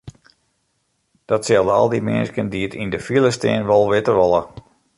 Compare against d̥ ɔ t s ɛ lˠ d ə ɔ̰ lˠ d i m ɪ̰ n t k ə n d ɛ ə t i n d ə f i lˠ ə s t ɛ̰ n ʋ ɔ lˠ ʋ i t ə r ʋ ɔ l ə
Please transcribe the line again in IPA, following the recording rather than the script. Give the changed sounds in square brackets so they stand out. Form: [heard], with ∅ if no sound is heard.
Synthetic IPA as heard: d̥ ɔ t s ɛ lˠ d ə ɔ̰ lˠ d i m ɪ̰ n [s] k ə n d [i] ə t i n d ə f i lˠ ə s t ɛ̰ n ʋ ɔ lˠ ʋ [ɪ] t ə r ʋ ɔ l ə